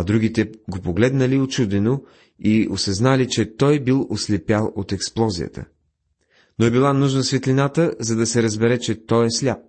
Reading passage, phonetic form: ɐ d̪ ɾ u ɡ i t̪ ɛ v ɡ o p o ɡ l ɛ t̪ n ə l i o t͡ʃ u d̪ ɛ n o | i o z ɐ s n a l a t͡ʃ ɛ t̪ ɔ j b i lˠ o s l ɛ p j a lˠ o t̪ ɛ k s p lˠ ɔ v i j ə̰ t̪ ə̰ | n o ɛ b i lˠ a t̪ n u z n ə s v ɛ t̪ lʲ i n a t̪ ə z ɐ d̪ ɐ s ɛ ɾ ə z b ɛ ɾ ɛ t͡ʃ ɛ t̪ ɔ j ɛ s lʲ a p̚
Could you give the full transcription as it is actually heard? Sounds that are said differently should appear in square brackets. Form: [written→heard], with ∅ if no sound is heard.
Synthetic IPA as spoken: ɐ d̪ ɾ u ɡ i t̪ ɛ [v→∅] ɡ o p o ɡ l ɛ [t̪→d̪] n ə l i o t͡ʃ u d̪ ɛ n o | i o [z→s] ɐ [s→z] n a l [a→i] t͡ʃ ɛ t̪ ɔ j b i lˠ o s l ɛ p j a lˠ o t̪ ɛ k s p lˠ ɔ [v→z] i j ə̰ t̪ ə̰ | n o ɛ b i lˠ a [t̪→∅] n u [z→ʒ] n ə s v ɛ t̪ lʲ i n a t̪ ə z ɐ d̪ ɐ s ɛ ɾ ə z b ɛ ɾ ɛ t͡ʃ ɛ t̪ ɔ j ɛ s lʲ a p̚